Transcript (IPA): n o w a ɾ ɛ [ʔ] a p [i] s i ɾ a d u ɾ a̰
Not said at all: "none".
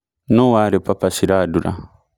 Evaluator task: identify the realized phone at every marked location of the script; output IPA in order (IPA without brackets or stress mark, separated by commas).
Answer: p, a